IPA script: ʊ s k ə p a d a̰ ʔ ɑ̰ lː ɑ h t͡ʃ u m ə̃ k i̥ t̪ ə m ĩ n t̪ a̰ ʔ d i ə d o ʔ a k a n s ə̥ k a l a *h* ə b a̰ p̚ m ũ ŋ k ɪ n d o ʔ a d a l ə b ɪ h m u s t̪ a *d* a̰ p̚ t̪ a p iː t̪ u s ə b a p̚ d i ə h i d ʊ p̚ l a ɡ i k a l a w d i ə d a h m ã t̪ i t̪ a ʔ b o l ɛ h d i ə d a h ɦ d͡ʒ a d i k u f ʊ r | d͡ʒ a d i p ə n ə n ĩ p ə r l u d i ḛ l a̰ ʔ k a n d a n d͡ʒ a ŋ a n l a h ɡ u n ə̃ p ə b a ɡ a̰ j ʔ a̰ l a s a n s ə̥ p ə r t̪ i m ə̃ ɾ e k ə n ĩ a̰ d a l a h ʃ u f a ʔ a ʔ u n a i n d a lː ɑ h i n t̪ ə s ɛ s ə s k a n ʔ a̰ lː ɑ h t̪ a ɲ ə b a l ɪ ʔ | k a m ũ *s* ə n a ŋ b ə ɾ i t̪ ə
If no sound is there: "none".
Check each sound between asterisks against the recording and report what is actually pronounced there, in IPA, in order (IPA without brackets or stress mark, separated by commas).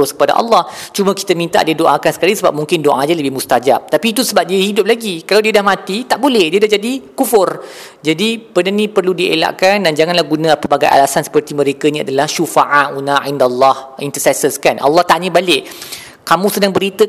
s, d͡ʒ, s